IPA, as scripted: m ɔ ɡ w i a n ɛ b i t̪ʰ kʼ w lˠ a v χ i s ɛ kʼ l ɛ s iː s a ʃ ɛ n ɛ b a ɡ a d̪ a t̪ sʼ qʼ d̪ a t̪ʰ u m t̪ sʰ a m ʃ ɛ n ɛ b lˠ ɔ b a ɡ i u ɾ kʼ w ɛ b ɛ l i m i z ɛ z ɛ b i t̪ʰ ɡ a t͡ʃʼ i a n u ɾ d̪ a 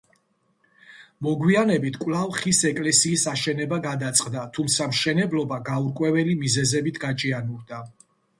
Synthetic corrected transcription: m ɔ ɡ w i a n ɛ b i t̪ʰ kʼ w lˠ a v χ i s ɛ kʼ l ɛ s iː s a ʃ ɛ n ɛ b a ɡ a d̪ a t̪ sʼ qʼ d̪ a t̪ʰ u m t̪ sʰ a m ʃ ɛ n ɛ b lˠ ɔ b a ɡ a u ɾ kʼ w ɛ v ɛ l i m i z ɛ z ɛ b i t̪ʰ ɡ a t͡ʃʼ i a n u ɾ d̪ a